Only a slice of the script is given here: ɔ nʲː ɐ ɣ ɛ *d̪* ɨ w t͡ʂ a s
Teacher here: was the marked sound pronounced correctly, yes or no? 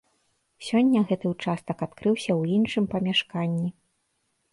no